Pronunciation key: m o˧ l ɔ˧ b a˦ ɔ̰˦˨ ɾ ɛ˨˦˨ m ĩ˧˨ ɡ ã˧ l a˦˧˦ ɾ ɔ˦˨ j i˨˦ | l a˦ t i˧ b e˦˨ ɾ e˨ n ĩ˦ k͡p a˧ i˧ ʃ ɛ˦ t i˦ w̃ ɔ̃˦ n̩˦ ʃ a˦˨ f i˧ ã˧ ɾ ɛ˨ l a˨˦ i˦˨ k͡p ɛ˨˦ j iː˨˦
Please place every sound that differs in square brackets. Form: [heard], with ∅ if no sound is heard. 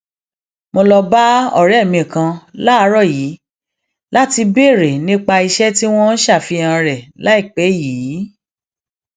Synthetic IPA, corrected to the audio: m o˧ l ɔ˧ b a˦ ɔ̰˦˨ ɾ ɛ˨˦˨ m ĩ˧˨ [k] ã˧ l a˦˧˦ ɾ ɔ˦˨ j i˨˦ | l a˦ t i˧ b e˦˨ ɾ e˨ n ĩ˦ k͡p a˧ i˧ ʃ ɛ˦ t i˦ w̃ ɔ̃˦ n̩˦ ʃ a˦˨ f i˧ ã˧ ɾ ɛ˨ l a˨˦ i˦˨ k͡p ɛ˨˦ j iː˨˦